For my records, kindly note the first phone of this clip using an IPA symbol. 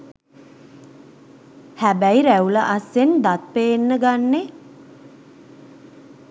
h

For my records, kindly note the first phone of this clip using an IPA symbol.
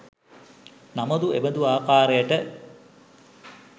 n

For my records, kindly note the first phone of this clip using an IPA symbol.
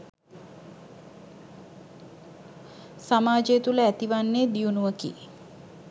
s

